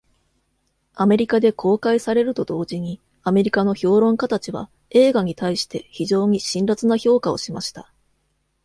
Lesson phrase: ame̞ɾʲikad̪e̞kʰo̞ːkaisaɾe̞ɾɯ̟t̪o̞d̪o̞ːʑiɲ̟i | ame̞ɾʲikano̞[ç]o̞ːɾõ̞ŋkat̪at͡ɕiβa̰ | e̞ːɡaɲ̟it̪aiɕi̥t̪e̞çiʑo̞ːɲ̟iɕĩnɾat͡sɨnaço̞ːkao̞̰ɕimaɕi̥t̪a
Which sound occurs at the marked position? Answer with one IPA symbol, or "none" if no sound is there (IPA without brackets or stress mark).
ç